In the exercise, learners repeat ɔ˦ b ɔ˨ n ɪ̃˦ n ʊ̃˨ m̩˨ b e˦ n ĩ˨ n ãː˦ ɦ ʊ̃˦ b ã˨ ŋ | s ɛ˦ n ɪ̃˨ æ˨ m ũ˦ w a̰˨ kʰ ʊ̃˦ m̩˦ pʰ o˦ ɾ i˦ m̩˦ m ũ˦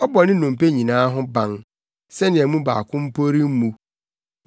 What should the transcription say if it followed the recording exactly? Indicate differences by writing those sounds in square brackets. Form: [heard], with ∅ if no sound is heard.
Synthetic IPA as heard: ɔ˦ b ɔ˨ n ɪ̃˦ n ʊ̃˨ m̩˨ [p] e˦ [ɲ] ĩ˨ n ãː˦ ɦ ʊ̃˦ b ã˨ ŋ | s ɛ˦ n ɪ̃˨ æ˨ m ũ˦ [b] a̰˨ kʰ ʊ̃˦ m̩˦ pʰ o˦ ɾ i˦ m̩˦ m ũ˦